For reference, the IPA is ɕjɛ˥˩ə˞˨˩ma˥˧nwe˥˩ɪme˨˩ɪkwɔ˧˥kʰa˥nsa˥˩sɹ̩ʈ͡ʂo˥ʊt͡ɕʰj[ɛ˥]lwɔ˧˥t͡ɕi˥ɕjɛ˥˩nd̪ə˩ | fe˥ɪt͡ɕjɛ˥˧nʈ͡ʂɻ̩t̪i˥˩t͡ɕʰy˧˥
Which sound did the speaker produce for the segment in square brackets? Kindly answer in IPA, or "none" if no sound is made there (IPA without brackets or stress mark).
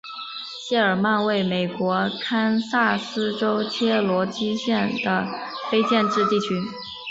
ɛ˥